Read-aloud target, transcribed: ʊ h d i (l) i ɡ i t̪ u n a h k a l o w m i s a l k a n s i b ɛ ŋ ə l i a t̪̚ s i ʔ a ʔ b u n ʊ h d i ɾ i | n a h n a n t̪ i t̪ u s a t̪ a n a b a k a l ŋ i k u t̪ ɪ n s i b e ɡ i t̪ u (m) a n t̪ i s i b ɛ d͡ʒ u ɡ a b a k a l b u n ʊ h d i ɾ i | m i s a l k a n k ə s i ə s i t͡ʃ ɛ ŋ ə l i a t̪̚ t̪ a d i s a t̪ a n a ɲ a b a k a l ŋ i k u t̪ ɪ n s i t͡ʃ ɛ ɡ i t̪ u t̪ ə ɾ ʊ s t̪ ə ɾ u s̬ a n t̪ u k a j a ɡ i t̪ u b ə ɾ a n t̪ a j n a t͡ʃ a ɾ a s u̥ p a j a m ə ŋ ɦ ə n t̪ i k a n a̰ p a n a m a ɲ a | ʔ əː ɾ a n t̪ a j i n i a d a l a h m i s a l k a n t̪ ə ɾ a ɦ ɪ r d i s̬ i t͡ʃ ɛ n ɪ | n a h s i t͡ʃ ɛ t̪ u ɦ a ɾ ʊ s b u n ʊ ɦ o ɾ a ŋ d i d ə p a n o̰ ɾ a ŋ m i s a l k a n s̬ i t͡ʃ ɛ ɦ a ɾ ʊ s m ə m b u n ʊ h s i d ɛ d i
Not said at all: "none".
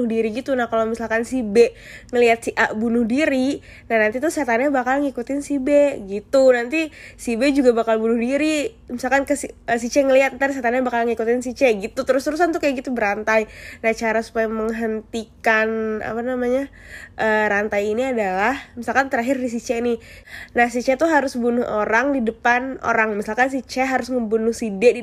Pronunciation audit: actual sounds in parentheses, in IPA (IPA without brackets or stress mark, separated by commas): ɾ, n